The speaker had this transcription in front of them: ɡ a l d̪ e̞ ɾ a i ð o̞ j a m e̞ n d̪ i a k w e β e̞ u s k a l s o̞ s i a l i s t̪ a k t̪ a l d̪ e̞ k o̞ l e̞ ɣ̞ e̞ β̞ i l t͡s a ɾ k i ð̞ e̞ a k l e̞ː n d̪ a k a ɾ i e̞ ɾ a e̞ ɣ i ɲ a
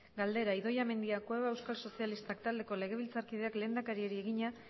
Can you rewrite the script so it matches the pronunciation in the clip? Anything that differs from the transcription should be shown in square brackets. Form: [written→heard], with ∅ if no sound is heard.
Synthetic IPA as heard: ɡ a l d̪ e̞ ɾ a i ð o̞ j a m e̞ n d̪ i a k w e β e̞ [u→w] s k a l s o̞ s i a l i s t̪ a k t̪ a l d̪ e̞ k o̞ l e̞ ɣ̞ e̞ β̞ i l t͡s a ɾ k i ð̞ e̞ a k l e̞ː n d̪ a k a ɾ i e̞ ɾ [a→i] e̞ ɣ i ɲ a